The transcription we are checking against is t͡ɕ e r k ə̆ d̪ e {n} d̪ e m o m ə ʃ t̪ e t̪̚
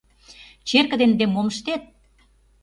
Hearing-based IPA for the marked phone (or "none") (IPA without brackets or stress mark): n